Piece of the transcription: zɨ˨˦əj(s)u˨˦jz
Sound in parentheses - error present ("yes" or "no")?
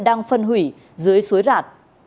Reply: no